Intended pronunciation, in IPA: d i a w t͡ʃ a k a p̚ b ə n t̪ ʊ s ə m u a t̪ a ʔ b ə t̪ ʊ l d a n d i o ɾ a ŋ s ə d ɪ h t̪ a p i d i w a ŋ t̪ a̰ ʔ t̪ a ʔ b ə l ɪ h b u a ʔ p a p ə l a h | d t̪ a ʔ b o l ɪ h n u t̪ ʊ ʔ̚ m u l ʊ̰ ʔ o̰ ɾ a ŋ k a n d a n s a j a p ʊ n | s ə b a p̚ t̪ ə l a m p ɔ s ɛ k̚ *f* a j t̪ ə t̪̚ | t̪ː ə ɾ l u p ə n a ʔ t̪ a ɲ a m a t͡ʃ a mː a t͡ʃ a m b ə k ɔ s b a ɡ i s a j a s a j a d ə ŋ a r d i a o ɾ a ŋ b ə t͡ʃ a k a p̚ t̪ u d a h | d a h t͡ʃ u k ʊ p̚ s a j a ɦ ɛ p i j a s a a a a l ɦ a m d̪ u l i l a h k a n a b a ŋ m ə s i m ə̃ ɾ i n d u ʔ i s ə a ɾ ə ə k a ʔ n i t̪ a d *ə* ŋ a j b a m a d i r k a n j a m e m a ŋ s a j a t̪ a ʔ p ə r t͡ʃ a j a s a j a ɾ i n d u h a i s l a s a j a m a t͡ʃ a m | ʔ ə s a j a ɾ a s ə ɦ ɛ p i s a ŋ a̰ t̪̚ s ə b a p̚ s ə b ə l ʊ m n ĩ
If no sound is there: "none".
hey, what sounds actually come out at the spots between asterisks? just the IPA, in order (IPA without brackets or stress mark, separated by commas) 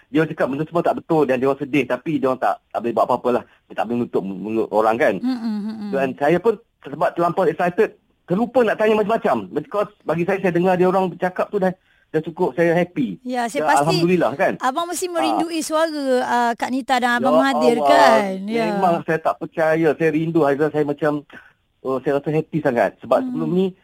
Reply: s, a